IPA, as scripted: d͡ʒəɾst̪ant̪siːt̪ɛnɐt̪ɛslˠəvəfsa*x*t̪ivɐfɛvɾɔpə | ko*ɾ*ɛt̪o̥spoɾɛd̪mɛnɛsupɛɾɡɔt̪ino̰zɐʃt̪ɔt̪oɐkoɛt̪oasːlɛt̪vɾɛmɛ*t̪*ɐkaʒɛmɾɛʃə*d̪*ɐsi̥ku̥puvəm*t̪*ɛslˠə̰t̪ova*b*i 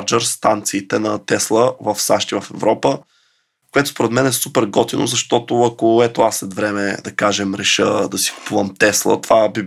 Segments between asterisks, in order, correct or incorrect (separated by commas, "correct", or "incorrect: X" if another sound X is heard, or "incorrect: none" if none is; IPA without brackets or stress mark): incorrect: ʃ, incorrect: none, incorrect: d̪, correct, correct, correct